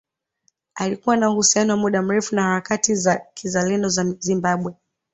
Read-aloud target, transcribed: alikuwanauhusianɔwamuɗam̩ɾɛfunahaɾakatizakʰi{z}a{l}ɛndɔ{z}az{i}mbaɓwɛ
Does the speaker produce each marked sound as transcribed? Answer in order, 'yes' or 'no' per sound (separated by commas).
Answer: yes, yes, yes, yes